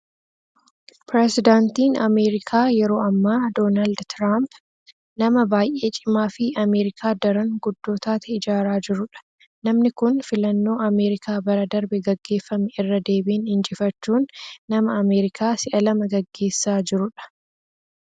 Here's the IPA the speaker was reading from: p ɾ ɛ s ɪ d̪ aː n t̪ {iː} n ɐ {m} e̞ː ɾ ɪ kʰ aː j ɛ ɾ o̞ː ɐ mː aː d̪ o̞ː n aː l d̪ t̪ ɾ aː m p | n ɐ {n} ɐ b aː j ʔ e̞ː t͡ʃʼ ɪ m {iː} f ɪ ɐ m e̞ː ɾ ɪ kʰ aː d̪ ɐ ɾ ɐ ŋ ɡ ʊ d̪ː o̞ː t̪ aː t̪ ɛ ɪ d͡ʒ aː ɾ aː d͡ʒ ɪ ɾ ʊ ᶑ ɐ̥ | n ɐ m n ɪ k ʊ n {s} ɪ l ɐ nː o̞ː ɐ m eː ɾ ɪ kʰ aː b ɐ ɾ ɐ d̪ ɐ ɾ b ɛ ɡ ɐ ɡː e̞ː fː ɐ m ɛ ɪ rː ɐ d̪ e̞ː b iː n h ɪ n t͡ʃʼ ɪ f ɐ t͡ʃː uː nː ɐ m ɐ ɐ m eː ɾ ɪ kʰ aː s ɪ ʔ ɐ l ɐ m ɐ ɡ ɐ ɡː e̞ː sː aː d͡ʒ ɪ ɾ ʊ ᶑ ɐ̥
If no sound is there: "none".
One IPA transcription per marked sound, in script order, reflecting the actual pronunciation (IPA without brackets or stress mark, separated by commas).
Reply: iː, m, m, aː, f